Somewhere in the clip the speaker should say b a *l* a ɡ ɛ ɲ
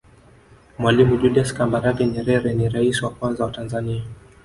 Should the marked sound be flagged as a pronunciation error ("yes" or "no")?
yes